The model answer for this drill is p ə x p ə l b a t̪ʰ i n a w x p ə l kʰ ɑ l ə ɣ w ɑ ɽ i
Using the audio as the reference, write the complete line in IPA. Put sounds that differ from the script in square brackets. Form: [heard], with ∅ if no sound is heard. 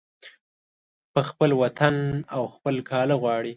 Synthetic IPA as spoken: p ə x p ə l [w] a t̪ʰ [a] n a w x p ə l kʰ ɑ l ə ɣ w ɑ ɽ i